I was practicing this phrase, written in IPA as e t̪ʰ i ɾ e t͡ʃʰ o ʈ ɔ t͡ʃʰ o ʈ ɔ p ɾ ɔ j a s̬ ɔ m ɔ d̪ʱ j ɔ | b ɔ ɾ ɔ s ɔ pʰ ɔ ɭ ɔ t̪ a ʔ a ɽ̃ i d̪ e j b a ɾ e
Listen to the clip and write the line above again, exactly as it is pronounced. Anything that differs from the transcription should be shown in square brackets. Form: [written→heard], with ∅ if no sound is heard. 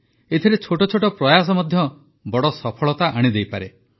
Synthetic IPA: e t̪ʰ i ɾ e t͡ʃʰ o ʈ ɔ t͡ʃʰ o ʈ ɔ p ɾ ɔ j a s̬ ɔ m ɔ d̪ʱ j ɔ | b ɔ [ɾ→ɽ] ɔ s ɔ pʰ ɔ ɭ ɔ t̪ a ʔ a ɽ̃ i d̪ e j [b→p] a ɾ e